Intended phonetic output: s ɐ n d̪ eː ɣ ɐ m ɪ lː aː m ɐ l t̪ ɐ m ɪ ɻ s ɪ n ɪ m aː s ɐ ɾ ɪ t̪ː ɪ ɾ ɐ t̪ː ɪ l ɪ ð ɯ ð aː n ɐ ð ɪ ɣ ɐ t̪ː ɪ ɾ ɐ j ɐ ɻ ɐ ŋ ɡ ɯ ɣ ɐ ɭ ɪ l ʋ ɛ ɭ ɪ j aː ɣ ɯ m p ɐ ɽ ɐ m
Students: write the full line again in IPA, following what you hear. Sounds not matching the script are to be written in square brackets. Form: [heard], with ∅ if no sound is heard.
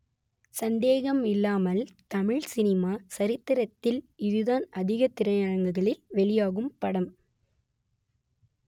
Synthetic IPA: s ɐ n d̪ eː ɣ ɐ m ɪ lː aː m ɐ l t̪ ɐ m ɪ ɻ s ɪ n ɪ m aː s ɐ ɾ ɪ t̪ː ɪ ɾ ɐ t̪ː ɪ l ɪ ð ɯ ð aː n ɐ ð ɪ ɣ ɐ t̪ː ɪ ɾ ɐ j ɐ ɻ ɐ ŋ ɡ ɯ ɣ ɐ ɭ ɪ l ʋ ɛ ɭ ɪ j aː ɣ ɯ m p ɐ ɽ ɐ m